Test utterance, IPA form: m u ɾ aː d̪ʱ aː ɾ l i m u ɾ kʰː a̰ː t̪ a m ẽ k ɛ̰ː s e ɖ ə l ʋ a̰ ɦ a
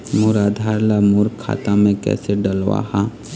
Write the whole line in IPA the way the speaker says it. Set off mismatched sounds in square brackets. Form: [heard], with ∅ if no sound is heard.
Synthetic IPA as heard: m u ɾ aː d̪ʱ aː ɾ l [a] m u ɾ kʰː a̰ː t̪ a m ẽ k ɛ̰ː s e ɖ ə l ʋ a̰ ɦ a

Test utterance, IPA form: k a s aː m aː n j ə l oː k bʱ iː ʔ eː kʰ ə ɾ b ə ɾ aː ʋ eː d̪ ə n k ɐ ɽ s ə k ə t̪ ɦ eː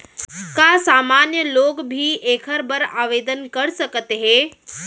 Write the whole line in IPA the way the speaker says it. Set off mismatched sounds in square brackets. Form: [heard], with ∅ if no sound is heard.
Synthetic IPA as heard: k a s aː m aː n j ə l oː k bʱ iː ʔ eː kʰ ə ɾ b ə ɾ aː ʋ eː d̪ ə n k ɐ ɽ s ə k ə t̪ ɦ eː

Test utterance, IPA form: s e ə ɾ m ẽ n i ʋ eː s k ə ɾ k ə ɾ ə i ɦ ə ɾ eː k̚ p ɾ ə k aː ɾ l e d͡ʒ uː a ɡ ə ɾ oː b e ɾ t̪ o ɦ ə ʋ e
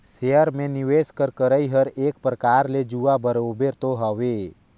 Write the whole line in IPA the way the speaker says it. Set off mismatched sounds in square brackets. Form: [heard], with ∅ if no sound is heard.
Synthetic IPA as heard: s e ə ɾ m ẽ n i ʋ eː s k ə ɾ k ə ɾ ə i ɦ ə ɾ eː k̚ p ɾ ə k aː ɾ l e d͡ʒ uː a [b] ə ɾ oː b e ɾ t̪ o ɦ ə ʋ e

